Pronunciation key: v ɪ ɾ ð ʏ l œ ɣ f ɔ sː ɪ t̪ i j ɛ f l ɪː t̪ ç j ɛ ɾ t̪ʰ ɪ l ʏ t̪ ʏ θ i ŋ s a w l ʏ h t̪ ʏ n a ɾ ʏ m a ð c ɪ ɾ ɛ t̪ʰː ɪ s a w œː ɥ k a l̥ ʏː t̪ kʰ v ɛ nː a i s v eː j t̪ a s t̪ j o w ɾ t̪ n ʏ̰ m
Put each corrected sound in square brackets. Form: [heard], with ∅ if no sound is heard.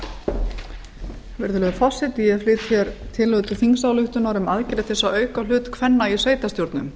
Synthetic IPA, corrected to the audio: v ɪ ɾ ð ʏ l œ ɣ f ɔ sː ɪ t̪ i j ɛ f l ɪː t̪ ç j ɛ ɾ t̪ʰ ɪ l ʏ t̪ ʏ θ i ŋ s a w l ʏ h t̪ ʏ n a ɾ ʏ m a ð c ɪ ɾ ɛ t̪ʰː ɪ s a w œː ɥ k a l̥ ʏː t̪ kʰ v ɛ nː a i s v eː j t̪ a s t̪ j o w ɾ t̪ n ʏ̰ m